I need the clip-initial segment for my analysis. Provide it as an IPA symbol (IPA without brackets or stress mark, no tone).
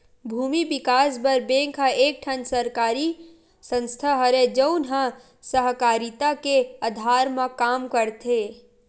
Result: bʱ